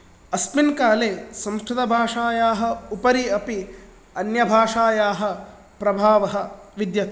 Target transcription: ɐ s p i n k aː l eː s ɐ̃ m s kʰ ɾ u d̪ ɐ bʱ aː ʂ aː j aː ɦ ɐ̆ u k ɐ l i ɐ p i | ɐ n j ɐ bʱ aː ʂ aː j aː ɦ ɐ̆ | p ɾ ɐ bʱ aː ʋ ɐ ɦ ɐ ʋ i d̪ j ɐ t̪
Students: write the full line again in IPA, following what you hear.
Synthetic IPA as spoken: ɐ s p i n k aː l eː s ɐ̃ m s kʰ ɾ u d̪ ɐ bʱ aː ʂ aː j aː ɦ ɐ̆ u p ɐ ɾ i ɐ p i | ɐ n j ɐ bʱ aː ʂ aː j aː ɦ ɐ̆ | p ɾ ɐ bʱ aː ʋ ɐ ɦ ɐ ʋ i d̪ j ɐ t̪